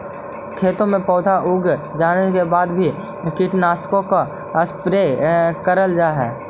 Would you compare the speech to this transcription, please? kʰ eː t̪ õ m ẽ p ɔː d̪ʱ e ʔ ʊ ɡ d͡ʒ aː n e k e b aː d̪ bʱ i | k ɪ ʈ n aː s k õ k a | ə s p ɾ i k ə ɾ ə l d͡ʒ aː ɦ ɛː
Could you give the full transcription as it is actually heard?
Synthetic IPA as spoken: kʰ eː t̪ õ m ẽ p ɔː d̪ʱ a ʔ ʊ ɡ d͡ʒ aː n e k e b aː d̪ bʱ i | k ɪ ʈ n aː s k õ k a | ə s p ɾ e k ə ɾ ə l d͡ʒ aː ɦ ɛː